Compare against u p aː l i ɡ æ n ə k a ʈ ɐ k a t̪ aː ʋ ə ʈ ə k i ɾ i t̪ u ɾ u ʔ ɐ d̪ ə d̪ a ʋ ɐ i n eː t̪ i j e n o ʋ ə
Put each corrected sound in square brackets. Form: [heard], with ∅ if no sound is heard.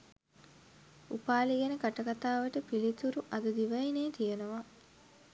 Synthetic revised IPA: u p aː l i ɡ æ n ə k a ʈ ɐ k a t̪ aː ʋ ə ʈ ə [p] i [l] i t̪ u ɾ u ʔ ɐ d̪ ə d̪ [i] ʋ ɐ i n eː t̪ i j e n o ʋ [a]